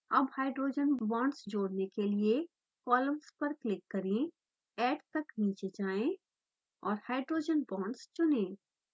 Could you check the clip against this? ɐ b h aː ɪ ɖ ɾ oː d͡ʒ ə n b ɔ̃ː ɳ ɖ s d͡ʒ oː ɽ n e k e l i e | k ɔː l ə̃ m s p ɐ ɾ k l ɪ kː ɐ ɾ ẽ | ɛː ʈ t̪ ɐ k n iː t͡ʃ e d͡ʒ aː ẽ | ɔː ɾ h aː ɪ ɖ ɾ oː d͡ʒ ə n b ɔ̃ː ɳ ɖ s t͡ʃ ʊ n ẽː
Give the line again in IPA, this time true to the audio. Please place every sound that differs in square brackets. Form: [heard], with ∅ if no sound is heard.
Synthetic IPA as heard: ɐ b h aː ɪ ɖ ɾ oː d͡ʒ ə n b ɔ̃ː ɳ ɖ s d͡ʒ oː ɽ n e k e l i e | k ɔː l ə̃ m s p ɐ ɾ k l ɪ kː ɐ ɾ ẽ | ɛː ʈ t̪ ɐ k n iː t͡ʃ e d͡ʒ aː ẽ | ɔː ɾ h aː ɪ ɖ ɾ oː d͡ʒ ə n b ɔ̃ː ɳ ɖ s t͡ʃ ʊ n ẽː

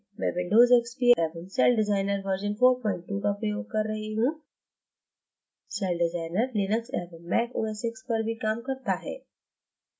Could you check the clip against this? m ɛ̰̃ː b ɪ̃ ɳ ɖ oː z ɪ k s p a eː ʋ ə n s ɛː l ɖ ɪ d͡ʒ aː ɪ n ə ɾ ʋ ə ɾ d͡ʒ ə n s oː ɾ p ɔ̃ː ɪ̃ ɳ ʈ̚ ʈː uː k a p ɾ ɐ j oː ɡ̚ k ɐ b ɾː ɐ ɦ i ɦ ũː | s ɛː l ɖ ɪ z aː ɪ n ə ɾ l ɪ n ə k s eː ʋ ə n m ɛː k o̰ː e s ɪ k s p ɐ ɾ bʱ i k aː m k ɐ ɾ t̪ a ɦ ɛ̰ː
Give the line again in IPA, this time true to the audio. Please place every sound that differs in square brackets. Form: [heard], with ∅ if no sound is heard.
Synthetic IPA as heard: m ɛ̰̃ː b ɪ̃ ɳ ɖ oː z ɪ k s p [i] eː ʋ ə n s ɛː l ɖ ɪ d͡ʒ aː ɪ n ə ɾ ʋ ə ɾ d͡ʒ ə n [f] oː ɾ p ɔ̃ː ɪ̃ ɳ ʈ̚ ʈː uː k a p ɾ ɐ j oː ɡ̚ k ɐ [∅] ɾː ɐ ɦ i ɦ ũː | s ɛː l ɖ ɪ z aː ɪ n ə ɾ l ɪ n ə k s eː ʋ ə n m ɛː k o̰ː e s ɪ k s p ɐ ɾ bʱ i k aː m k ɐ ɾ t̪ a ɦ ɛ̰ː

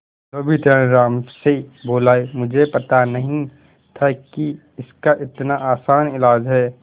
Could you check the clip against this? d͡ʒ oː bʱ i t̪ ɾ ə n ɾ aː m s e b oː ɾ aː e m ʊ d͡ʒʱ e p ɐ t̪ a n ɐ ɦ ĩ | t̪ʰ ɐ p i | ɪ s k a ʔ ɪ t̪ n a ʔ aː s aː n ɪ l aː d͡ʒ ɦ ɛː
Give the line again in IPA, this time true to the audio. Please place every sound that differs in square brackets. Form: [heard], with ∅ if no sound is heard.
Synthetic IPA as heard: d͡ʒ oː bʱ i t̪ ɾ ə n ɾ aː m s e b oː [l] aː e m ʊ d͡ʒʱ e p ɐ t̪ a n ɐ ɦ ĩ | t̪ʰ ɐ [k] i | ɪ s k a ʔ ɪ t̪ n a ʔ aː s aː n ɪ l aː d͡ʒ ɦ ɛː

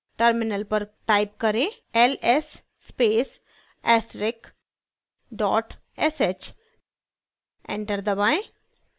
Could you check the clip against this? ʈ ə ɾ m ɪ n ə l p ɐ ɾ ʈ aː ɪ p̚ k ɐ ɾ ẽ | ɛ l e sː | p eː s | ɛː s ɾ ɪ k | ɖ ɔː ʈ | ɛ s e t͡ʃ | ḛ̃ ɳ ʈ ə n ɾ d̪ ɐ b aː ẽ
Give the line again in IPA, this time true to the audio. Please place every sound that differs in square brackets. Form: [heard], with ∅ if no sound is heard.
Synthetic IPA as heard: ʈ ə ɾ m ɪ n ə l p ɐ ɾ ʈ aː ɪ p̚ k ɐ ɾ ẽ | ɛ l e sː | p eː s | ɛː s ɾ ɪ k | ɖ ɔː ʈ | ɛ s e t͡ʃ | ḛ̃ ɳ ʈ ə [∅] ɾ d̪ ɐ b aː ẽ

